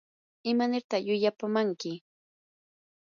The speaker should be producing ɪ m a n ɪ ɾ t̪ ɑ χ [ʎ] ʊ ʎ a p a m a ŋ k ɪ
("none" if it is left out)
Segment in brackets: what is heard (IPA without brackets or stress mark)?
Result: j